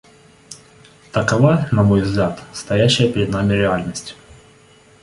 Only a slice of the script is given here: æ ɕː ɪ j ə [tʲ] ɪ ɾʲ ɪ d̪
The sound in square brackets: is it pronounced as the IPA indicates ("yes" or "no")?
no